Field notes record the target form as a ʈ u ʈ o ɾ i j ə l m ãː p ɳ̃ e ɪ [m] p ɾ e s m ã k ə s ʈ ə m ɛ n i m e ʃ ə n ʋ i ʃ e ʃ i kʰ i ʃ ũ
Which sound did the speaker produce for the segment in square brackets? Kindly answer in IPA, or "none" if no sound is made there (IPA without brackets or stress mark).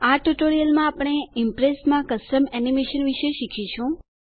m